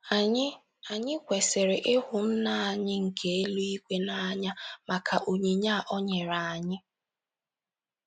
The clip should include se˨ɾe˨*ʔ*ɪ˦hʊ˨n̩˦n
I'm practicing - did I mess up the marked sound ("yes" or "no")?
no